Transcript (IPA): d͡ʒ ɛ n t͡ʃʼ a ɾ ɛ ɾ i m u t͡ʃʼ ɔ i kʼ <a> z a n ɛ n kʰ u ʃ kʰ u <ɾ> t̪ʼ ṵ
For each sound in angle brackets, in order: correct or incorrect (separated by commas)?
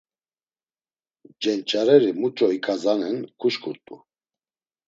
correct, correct